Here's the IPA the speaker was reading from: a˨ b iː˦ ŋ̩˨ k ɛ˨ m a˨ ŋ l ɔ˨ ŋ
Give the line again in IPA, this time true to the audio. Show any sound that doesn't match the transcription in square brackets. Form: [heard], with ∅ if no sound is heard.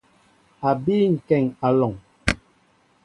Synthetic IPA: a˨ b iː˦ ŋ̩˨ k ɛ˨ [ŋ] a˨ [∅] l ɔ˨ ŋ